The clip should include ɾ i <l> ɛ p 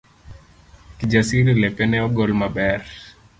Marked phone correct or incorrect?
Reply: correct